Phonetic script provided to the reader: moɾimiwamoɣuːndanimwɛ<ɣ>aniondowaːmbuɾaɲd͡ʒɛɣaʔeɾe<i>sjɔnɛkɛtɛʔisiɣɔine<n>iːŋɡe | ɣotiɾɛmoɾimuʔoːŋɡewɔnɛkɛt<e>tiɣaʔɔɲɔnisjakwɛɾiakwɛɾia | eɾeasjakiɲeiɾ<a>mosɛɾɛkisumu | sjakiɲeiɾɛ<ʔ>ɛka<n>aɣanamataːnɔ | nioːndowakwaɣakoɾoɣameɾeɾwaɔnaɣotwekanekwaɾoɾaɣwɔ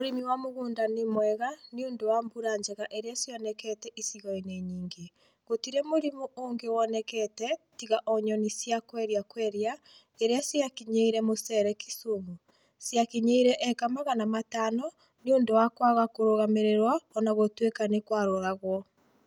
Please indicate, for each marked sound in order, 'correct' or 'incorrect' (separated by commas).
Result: correct, incorrect, incorrect, incorrect, incorrect, correct, incorrect